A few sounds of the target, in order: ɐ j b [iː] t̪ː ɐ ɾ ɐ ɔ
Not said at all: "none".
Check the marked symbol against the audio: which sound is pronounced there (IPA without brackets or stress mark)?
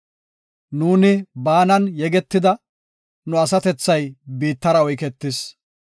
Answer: iː